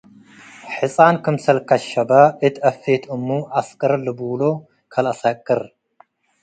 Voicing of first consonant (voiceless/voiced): voiceless